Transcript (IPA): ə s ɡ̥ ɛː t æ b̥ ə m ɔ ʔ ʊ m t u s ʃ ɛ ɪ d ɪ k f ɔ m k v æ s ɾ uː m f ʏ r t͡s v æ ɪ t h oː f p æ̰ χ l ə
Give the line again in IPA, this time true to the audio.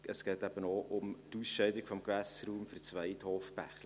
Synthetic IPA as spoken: ə s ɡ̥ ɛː t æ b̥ ə n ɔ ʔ ʊ m t u s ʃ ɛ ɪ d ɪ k f ɔ m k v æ s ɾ uː m f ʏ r t͡s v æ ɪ t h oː f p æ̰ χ l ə